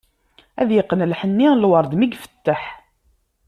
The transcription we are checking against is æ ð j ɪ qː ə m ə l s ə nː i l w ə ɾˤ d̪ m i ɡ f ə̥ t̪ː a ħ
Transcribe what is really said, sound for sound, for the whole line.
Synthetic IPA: æ ð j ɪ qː ə n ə l ħ ə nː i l w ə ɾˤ d̪ m i ɡ f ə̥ t̪ː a ħ